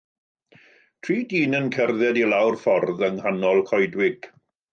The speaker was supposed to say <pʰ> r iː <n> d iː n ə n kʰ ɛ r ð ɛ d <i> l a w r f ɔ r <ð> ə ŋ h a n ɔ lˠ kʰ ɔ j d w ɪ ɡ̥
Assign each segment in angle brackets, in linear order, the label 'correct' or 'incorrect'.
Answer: incorrect: tʰ, incorrect: none, correct, correct

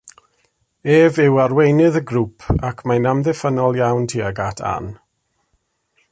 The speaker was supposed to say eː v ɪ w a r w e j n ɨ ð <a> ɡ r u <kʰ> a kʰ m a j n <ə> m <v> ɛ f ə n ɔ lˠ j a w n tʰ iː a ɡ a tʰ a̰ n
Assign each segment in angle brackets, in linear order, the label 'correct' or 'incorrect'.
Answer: incorrect: ə, incorrect: pʰ, incorrect: a, incorrect: ð

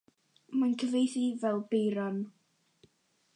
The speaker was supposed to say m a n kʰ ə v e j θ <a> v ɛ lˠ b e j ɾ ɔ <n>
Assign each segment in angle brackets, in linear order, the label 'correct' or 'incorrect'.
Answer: incorrect: i, correct

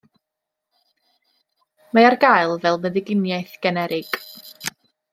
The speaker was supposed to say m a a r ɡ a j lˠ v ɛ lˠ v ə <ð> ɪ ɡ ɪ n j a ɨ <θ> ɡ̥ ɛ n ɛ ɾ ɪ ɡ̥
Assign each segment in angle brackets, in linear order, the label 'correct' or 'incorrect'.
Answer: correct, correct

